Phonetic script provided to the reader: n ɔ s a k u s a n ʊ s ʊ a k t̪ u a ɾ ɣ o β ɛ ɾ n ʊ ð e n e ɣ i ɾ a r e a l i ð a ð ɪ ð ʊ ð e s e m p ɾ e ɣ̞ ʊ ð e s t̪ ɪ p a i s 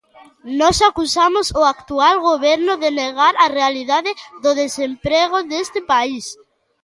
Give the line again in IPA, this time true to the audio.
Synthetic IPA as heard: n ɔ s a k u s a m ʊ s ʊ a k t̪ u a l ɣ o β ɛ ɾ n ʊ ð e n e ɣ a ɾ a r e a l i ð a ð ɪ ð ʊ ð e s e m p ɾ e ɣ̞ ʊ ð e s t̪ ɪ p a i s